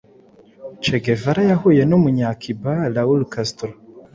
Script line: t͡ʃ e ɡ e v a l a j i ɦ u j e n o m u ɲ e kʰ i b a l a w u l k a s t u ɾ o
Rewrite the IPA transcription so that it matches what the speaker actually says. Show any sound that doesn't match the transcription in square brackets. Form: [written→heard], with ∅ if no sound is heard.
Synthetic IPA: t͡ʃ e ɡ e v a [l→ɾ] a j [i→a] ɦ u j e n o m u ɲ [e→a] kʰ i b a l a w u l k a s t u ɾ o